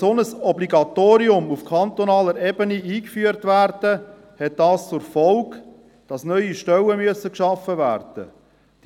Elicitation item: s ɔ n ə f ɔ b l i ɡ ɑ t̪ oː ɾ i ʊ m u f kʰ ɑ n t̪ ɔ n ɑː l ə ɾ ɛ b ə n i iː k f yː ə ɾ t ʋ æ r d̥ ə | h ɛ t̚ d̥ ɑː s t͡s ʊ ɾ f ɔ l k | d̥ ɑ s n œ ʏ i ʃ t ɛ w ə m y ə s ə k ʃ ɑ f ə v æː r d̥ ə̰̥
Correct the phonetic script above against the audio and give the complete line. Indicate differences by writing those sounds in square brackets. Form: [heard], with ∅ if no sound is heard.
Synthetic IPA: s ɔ n ə [s] ɔ b l i ɡ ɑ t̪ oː ɾ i ʊ m u f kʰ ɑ n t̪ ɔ n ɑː l ə ɾ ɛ b ə n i iː k f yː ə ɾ t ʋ æ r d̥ ə | h ɛ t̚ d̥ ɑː s t͡s ʊ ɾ f ɔ l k | d̥ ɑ s n œ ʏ i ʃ t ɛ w ə m y ə s ə k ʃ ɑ f ə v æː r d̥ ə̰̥